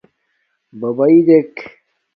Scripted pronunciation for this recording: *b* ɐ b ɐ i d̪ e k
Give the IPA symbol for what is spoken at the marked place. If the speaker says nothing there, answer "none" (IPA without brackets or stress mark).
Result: b